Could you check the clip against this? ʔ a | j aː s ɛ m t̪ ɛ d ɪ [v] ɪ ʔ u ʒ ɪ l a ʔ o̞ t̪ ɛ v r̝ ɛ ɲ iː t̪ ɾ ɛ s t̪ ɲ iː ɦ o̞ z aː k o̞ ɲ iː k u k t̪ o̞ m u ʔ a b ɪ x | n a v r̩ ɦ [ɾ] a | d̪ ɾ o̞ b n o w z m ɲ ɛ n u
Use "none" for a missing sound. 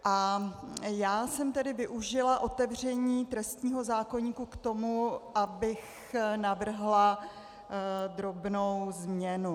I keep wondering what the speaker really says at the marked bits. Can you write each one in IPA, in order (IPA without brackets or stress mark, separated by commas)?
v, l